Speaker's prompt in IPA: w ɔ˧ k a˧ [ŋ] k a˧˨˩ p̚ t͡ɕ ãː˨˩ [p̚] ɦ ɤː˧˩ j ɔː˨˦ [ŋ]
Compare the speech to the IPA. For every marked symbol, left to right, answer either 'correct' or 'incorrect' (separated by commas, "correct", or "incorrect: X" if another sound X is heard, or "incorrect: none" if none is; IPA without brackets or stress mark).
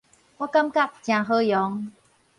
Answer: incorrect: m, incorrect: none, correct